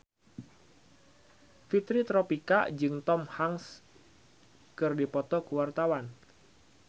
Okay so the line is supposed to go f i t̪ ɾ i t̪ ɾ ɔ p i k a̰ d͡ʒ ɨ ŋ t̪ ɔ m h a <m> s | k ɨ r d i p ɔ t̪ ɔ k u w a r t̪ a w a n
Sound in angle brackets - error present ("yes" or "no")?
yes